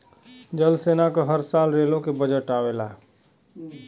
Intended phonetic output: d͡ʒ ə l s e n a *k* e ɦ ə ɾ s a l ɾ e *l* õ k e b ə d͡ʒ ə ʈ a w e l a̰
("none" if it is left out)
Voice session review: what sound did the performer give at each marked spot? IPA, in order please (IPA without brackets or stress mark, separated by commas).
k, l